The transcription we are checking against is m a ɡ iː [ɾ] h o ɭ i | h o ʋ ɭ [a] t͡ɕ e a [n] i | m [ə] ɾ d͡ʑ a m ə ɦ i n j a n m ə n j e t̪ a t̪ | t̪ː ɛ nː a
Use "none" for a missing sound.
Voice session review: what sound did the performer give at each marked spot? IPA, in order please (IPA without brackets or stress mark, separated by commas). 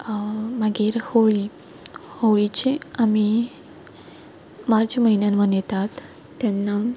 ɾ, i, m, a